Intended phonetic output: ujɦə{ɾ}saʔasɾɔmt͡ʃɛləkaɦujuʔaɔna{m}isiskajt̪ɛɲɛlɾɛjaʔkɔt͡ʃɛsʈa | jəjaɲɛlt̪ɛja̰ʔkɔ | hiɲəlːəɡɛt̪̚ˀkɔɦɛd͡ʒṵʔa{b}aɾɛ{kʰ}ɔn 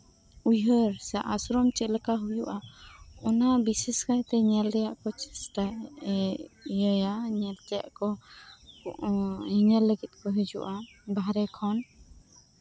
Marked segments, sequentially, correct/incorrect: correct, incorrect: b, correct, correct

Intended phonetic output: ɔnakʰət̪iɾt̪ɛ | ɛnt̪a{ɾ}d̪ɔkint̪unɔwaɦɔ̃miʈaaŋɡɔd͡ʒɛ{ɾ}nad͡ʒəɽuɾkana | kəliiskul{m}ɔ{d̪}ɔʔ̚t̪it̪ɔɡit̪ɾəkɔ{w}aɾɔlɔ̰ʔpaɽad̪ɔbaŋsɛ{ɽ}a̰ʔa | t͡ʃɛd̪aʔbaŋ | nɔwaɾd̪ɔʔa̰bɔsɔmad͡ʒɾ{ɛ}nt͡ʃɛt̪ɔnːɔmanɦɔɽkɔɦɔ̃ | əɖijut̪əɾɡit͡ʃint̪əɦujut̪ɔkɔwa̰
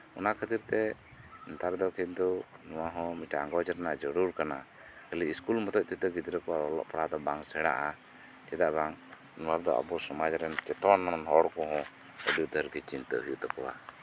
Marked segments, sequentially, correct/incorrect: correct, correct, correct, incorrect: t̪, correct, correct, correct

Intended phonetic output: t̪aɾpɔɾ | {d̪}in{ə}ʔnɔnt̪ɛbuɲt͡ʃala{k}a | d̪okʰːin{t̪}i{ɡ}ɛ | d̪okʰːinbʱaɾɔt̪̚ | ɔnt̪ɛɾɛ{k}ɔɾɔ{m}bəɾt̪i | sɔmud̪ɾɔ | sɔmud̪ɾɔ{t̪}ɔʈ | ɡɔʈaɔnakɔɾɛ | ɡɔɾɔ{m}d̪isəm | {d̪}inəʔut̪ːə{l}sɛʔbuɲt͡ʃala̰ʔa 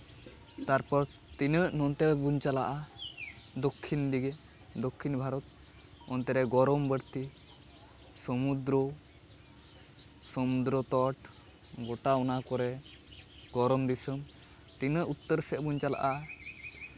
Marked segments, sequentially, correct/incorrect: incorrect: t̪, correct, incorrect: ʔ, incorrect: d̪, correct, incorrect: ɡ, correct, correct, correct, incorrect: t̪, incorrect: ɾ

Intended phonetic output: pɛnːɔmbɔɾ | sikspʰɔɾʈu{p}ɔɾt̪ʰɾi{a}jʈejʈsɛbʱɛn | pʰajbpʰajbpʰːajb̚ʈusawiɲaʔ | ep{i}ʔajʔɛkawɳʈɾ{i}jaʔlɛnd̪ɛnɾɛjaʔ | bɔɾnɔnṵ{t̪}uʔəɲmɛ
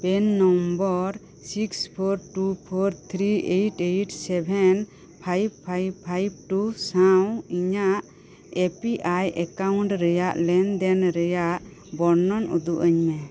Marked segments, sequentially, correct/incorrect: incorrect: pʰ, incorrect: e, correct, incorrect: ɛ, incorrect: d̪

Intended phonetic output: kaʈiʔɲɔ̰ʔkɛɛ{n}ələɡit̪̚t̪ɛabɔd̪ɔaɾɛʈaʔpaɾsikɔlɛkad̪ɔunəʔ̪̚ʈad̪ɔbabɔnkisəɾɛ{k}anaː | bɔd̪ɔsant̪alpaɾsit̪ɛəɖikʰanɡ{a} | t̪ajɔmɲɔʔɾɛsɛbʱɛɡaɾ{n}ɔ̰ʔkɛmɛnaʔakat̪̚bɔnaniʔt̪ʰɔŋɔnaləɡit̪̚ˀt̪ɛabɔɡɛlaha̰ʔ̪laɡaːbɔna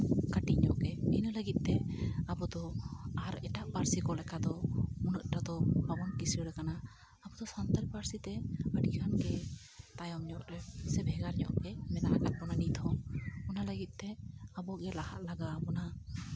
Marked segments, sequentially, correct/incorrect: correct, correct, incorrect: ɛ, incorrect: ɲ

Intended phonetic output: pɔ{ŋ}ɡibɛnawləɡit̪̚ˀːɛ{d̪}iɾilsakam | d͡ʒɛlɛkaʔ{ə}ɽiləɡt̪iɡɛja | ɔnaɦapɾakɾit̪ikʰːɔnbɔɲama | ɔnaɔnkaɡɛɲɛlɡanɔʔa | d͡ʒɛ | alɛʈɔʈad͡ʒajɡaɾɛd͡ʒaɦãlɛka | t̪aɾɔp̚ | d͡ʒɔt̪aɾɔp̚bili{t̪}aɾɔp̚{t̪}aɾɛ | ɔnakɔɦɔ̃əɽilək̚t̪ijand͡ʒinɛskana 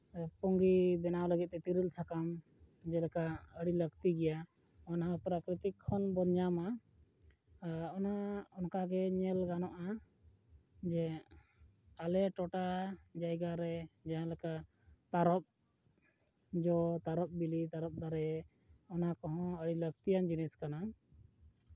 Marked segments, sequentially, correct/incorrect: correct, incorrect: t̪, correct, correct, incorrect: d̪

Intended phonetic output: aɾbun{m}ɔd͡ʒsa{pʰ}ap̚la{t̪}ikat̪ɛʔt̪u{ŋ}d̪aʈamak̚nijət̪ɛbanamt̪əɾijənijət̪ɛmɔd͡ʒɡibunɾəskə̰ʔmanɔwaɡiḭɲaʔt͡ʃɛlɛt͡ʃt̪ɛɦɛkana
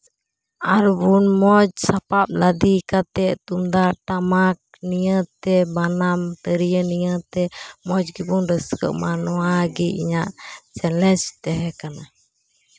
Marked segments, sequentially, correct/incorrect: correct, incorrect: p, incorrect: d̪, incorrect: m

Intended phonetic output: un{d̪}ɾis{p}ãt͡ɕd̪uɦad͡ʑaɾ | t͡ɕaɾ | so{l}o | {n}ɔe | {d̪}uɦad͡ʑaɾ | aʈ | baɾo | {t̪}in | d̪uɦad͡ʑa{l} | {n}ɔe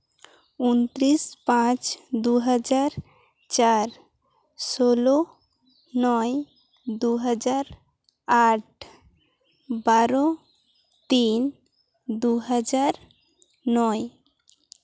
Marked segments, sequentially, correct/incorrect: incorrect: t̪, correct, correct, correct, correct, correct, incorrect: ɾ, correct

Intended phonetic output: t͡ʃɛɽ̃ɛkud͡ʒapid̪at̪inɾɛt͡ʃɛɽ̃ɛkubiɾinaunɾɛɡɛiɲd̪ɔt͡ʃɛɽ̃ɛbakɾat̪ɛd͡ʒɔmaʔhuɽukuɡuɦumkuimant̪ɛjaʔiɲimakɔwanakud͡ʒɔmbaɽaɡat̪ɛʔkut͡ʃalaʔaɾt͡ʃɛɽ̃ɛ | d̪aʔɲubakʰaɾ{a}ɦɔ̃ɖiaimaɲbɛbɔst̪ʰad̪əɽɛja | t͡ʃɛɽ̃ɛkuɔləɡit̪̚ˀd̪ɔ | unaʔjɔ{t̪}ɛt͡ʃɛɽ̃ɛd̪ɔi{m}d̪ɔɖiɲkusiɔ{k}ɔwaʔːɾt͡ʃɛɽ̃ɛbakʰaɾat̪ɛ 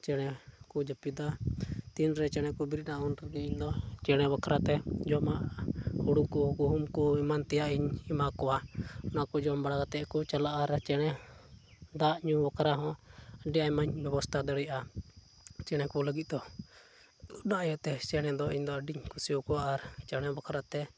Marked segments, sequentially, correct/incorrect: correct, correct, incorrect: ɲ, correct

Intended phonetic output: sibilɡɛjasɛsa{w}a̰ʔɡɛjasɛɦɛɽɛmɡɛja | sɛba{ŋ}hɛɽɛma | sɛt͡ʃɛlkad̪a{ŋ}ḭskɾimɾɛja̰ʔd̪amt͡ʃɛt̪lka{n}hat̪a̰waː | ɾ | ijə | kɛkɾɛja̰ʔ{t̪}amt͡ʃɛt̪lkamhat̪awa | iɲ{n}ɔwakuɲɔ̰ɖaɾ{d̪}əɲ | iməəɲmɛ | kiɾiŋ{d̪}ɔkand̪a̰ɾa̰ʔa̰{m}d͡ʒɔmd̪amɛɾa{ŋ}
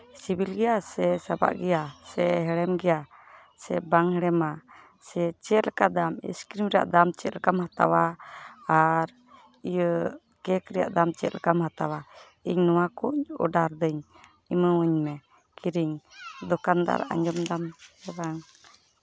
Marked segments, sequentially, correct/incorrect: incorrect: b, correct, incorrect: m, incorrect: m, incorrect: d̪, correct, correct, correct, incorrect: ɲ, correct

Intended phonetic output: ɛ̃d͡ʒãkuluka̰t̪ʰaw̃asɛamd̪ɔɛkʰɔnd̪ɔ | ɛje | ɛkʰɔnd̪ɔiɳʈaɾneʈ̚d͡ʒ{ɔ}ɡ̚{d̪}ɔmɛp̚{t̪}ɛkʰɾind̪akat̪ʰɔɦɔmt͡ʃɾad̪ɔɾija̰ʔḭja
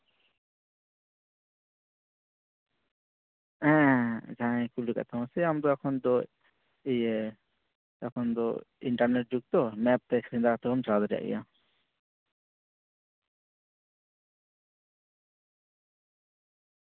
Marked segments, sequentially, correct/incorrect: incorrect: u, incorrect: t̪, correct

